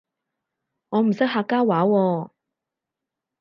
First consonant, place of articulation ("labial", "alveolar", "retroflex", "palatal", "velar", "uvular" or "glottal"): velar